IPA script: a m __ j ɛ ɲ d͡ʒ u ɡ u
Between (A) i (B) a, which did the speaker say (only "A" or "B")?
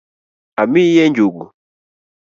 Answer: A